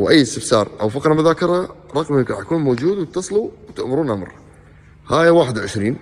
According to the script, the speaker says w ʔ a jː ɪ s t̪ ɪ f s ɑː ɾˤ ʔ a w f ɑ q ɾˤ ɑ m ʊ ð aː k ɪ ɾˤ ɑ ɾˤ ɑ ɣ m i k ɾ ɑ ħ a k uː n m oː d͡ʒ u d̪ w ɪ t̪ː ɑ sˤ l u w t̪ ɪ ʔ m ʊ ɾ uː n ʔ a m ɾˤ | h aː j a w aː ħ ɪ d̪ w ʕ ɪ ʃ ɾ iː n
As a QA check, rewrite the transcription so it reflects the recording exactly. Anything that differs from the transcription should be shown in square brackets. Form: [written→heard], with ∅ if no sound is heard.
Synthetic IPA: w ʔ a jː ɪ s t̪ ɪ f s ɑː ɾˤ ʔ a w f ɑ q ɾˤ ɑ m ʊ ð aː k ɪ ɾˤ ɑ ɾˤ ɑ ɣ m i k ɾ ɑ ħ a k uː n m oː d͡ʒ [u→uː] d̪ w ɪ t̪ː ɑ sˤ l u w t̪ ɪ ʔ m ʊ ɾ uː n ʔ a m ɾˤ | h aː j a w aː ħ ɪ d̪ w ʕ ɪ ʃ ɾ iː n